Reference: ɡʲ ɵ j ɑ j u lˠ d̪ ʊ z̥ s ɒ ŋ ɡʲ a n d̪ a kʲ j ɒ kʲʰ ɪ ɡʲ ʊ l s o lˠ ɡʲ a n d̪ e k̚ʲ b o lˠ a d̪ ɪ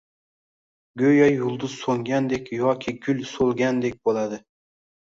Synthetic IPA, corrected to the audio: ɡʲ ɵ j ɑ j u lˠ d̪ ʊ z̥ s o ŋ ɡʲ a n d̪ e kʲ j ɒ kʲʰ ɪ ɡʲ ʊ l s o lˠ ɡʲ a n d̪ e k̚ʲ b o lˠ a d̪ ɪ